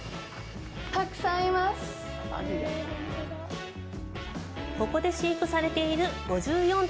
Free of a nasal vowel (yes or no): no